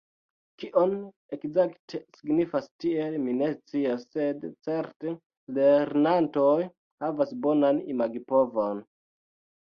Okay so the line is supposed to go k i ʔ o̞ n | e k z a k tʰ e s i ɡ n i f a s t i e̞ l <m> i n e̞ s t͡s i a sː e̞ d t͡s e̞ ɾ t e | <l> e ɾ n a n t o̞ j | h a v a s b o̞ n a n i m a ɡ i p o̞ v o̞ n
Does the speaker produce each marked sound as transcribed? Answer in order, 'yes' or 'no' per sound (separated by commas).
yes, yes